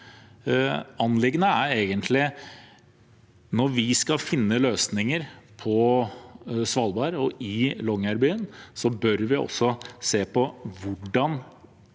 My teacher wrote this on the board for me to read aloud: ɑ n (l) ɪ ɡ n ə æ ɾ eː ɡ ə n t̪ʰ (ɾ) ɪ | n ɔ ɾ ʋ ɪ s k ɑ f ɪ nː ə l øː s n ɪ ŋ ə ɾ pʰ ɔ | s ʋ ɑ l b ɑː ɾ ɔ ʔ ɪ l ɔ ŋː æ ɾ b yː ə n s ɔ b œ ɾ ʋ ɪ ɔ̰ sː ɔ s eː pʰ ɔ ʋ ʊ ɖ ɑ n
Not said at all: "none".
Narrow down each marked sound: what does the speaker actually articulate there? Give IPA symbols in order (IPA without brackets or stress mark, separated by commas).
l, l